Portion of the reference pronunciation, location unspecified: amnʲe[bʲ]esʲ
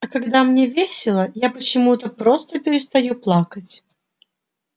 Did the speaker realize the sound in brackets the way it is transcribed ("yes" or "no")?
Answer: no